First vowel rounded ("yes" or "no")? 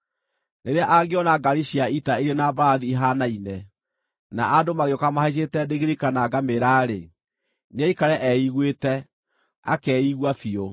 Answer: no